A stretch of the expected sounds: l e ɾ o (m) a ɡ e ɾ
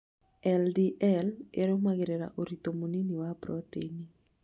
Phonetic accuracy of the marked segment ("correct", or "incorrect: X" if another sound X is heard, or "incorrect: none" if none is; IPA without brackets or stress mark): correct